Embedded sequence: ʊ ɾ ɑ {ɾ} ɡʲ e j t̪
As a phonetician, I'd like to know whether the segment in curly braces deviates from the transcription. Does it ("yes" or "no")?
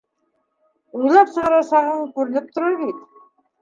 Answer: no